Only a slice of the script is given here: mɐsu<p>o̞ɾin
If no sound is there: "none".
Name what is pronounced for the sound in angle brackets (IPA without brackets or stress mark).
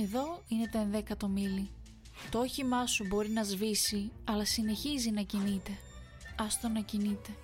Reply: b